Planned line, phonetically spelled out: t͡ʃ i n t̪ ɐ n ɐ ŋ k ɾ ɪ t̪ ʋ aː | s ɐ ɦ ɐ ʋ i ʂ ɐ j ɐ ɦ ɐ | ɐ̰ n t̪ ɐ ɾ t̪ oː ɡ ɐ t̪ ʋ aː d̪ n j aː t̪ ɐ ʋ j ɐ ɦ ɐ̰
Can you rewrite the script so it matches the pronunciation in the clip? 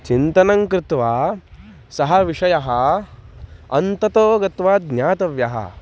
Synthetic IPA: t͡ʃ i n t̪ ɐ n ɐ ŋ k ɾ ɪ t̪ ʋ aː | s ɐ ɦ ɐ ʋ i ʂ ɐ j ɐ ɦ ɐ | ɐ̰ n t̪ ɐ t̪ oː ɡ ɐ t̪ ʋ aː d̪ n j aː t̪ ɐ ʋ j ɐ ɦ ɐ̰